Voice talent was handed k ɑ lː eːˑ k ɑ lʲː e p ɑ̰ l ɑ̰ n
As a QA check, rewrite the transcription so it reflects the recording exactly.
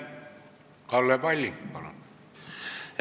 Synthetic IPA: k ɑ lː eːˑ p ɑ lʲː i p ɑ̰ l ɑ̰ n